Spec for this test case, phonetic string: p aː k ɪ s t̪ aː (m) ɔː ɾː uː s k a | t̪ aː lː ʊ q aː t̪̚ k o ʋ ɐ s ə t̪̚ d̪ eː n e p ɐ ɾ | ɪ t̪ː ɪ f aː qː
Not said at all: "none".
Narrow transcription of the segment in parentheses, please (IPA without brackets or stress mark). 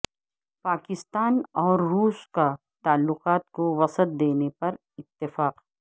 n